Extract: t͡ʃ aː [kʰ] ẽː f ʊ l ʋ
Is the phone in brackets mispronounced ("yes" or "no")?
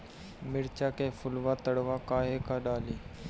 yes